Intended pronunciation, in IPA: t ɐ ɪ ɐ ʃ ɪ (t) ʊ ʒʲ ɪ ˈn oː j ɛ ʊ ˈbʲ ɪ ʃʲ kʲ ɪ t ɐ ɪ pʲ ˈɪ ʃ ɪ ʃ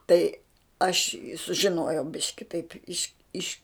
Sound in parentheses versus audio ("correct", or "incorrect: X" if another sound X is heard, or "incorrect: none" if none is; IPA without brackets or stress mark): incorrect: s